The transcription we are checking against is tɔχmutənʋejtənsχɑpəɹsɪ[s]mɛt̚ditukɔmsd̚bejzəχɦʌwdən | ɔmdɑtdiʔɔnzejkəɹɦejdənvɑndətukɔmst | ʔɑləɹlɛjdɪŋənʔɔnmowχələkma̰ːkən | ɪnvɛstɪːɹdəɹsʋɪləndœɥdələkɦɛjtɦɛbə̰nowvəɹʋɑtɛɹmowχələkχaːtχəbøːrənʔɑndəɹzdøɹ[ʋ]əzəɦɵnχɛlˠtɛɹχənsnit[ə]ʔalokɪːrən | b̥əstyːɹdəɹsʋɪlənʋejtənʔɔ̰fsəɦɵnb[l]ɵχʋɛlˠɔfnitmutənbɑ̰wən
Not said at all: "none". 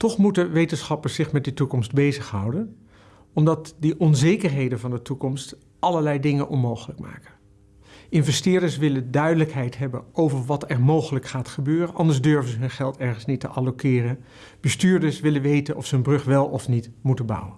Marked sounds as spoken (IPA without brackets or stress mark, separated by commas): χ, v, ə, r